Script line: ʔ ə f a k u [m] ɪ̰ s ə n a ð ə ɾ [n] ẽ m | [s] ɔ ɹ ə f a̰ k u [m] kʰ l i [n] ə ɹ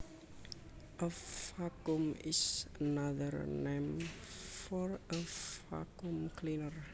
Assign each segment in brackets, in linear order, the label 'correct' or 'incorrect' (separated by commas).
correct, correct, incorrect, correct, correct